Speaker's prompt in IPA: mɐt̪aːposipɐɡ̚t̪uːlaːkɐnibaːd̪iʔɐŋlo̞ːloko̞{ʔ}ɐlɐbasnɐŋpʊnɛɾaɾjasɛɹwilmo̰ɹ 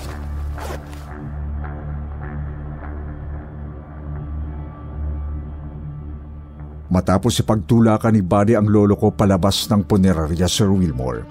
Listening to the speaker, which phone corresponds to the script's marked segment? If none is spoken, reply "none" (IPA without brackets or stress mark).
p